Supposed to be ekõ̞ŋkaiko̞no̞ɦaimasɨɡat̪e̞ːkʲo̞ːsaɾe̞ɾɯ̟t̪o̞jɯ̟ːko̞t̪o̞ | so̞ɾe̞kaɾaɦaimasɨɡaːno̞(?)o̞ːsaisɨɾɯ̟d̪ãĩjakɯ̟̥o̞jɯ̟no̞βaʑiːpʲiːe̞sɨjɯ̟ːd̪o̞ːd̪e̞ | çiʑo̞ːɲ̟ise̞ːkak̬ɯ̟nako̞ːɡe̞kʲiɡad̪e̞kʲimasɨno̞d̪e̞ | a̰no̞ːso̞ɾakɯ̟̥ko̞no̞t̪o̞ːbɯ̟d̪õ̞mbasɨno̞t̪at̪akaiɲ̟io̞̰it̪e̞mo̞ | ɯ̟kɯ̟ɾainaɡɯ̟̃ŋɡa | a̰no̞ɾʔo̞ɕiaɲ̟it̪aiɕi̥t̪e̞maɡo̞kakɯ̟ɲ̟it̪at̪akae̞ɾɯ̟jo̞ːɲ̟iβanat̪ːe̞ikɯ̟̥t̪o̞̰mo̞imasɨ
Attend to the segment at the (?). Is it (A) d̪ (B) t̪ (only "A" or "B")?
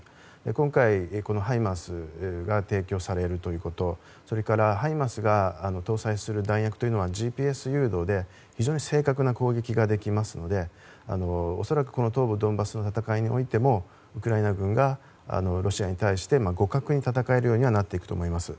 B